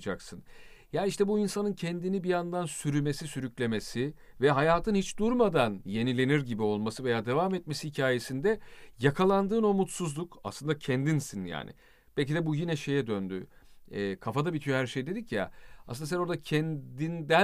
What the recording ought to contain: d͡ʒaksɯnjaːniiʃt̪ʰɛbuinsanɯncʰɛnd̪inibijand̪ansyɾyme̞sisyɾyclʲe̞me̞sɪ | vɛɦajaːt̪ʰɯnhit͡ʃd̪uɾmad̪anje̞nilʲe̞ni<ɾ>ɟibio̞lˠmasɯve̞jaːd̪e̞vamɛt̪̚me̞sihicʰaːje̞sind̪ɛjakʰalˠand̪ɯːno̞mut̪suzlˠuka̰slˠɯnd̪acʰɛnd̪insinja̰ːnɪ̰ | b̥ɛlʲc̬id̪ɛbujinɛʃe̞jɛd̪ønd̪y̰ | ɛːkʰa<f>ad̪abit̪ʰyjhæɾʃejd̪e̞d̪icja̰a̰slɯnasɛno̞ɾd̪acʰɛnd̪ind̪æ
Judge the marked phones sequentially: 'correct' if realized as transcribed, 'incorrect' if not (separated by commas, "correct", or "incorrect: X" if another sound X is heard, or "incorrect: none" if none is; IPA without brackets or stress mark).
correct, correct